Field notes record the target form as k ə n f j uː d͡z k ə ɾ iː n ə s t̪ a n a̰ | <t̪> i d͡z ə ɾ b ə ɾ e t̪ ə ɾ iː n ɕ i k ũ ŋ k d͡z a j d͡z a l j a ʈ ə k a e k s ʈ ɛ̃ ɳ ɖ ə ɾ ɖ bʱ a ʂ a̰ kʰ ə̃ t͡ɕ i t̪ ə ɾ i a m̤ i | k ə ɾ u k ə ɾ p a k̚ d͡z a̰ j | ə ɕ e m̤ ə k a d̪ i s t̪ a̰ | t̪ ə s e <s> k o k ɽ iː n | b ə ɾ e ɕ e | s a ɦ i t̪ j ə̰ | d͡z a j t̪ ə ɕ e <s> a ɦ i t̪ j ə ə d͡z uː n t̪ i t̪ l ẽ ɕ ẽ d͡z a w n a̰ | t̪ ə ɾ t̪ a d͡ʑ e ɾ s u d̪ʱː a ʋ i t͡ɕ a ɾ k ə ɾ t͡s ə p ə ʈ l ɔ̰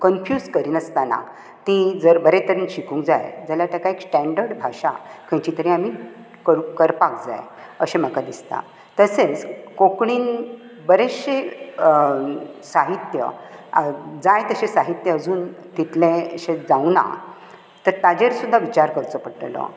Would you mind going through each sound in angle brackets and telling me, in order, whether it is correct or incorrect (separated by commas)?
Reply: correct, incorrect, correct